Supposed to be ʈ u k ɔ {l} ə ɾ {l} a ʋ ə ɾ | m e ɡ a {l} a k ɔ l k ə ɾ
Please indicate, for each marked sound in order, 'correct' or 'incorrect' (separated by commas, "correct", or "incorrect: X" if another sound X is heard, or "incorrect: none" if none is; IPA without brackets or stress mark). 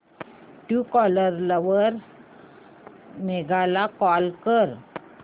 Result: correct, correct, correct